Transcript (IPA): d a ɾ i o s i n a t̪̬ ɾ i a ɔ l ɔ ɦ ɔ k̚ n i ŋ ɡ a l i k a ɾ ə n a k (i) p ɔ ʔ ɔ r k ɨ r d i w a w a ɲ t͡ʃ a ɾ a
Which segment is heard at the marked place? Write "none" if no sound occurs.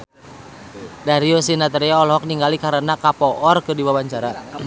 a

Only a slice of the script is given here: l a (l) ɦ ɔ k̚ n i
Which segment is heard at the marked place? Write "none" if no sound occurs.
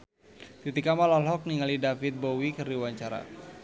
l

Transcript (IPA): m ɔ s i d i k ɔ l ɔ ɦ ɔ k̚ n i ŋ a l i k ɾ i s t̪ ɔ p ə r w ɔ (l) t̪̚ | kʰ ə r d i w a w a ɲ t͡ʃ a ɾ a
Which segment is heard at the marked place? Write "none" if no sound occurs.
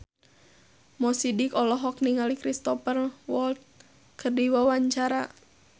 l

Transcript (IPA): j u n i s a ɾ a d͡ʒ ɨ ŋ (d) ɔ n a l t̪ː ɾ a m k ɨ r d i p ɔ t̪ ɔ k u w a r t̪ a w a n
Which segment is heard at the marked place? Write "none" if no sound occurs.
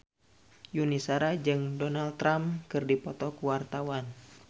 d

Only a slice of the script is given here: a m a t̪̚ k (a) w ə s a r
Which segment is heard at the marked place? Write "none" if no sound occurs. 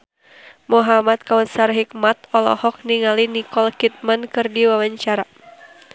a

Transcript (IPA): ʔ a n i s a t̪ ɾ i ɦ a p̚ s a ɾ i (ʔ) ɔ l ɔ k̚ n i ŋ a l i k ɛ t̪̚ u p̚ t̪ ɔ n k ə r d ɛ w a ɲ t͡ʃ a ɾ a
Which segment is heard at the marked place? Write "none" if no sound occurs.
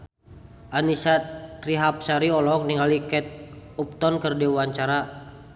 none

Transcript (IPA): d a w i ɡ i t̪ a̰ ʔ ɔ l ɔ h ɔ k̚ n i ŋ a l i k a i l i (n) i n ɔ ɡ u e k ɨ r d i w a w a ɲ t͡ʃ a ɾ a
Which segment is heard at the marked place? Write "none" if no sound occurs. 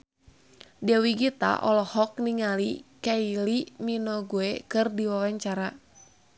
m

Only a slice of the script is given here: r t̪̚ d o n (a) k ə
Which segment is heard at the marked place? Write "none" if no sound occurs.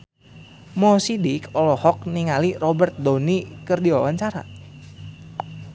i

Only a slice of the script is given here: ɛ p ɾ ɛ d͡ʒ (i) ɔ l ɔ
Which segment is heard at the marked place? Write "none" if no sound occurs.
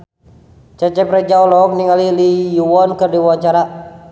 a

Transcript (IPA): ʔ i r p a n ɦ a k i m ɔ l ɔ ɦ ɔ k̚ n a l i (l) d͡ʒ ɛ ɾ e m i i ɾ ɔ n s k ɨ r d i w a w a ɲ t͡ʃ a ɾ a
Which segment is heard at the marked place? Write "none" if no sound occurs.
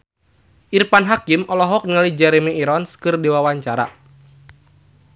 none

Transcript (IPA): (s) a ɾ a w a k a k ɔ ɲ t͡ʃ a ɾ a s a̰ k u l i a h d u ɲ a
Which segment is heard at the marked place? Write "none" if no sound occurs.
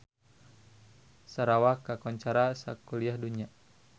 s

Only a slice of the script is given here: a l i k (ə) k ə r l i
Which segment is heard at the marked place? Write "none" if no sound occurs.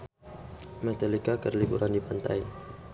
a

